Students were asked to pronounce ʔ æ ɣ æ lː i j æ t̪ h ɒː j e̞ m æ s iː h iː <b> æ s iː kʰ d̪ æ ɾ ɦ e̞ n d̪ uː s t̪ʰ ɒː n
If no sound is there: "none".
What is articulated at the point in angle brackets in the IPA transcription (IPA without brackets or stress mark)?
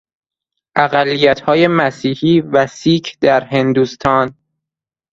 v